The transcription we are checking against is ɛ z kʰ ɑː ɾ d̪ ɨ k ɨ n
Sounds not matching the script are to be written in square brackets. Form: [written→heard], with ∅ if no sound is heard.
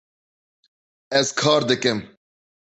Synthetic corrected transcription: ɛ z kʰ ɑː ɾ d̪ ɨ k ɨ [n→m]